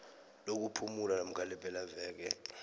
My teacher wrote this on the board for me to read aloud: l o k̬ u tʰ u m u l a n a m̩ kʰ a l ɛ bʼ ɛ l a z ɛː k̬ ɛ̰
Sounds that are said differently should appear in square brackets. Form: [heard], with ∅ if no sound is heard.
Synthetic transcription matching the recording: l o k̬ u [pʰ] u m u l a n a m̩ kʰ a l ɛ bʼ ɛ l a [v] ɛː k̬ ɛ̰